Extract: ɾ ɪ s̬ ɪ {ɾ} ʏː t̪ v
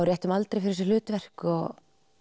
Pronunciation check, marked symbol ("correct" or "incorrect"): incorrect